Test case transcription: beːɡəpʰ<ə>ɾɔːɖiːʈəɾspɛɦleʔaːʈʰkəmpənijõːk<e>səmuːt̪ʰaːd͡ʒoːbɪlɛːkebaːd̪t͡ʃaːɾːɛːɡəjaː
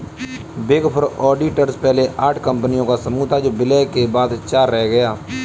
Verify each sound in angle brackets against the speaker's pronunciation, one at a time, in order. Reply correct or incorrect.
correct, incorrect: a

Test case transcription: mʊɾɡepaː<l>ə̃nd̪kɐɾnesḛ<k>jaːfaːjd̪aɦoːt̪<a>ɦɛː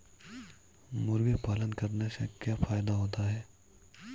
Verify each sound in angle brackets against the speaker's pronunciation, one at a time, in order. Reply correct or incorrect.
correct, correct, correct

